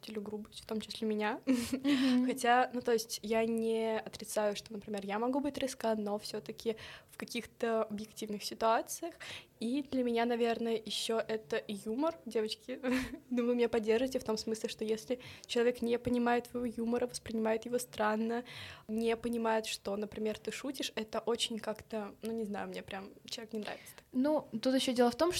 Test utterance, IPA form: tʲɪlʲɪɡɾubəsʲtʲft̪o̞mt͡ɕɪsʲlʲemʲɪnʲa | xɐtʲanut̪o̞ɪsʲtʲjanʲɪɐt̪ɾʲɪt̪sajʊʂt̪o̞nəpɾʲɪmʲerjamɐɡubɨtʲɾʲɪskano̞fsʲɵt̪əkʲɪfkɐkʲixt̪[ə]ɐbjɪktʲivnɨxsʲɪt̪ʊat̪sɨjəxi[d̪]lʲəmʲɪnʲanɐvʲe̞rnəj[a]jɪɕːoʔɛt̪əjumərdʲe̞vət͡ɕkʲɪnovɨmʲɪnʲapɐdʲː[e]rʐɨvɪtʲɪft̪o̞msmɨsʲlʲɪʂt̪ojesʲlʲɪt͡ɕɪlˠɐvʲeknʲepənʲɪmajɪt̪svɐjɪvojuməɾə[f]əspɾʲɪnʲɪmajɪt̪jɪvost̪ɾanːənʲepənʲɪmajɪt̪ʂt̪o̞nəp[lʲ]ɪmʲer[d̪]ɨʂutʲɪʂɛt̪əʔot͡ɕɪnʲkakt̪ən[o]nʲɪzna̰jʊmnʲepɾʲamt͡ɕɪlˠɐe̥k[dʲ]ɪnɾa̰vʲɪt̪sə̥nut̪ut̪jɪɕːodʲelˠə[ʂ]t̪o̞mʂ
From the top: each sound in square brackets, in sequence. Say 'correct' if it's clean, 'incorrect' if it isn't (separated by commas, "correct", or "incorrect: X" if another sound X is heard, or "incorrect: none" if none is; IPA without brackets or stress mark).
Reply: correct, correct, incorrect: ə, correct, incorrect: v, incorrect: ɾʲ, incorrect: t̪, incorrect: u, incorrect: nʲ, incorrect: f